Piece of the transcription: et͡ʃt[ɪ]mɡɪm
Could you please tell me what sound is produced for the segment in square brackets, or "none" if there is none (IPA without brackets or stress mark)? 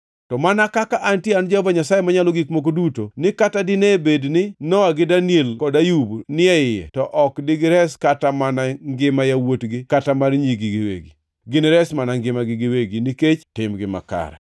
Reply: ɪ